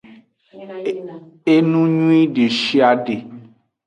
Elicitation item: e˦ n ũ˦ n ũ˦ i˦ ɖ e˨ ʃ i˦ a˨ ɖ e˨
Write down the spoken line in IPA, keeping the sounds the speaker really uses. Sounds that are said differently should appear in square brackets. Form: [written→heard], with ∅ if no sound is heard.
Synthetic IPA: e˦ n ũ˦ [n→ɲ] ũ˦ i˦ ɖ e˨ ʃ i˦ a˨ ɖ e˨